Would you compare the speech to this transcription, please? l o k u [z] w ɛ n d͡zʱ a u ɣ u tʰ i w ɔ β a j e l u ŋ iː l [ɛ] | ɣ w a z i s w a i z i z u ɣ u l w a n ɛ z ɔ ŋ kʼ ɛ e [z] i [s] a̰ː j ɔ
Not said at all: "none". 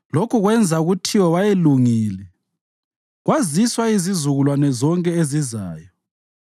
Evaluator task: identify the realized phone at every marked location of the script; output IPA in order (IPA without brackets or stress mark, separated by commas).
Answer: ɣ, ɛ, z, z